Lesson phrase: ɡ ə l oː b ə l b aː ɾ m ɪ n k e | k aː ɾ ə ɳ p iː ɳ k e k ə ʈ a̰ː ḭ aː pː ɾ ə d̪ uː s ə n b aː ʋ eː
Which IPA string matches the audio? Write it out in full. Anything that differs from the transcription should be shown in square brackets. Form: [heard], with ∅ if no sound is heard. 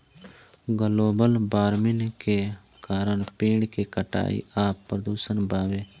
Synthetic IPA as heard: ɡ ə l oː b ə l b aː ɾ m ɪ n k e | k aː ɾ ə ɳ p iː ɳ k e k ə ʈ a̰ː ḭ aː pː ɾ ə d̪ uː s ə n b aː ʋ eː